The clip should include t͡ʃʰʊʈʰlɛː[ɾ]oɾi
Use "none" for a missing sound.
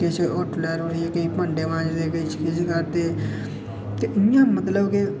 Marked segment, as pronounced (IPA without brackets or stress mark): ɾ